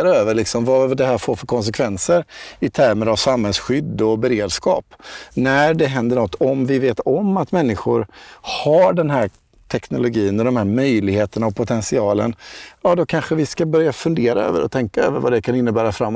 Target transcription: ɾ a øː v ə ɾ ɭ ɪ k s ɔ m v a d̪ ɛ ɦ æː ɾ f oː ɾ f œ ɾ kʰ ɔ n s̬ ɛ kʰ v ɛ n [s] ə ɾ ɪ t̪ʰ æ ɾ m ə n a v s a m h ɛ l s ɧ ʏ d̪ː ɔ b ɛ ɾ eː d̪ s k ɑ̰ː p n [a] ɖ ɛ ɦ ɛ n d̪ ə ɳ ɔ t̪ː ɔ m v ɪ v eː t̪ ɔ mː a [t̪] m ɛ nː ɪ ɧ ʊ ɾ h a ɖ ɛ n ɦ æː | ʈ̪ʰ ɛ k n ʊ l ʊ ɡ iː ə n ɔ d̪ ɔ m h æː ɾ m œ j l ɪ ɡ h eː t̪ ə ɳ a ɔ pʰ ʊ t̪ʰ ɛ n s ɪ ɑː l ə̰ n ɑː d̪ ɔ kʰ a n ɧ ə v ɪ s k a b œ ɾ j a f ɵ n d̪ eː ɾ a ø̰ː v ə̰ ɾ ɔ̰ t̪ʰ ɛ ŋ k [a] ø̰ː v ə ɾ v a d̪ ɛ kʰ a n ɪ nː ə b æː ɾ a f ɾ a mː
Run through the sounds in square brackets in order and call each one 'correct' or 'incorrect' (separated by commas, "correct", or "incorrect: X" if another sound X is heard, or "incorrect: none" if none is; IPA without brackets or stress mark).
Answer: correct, incorrect: æ, correct, correct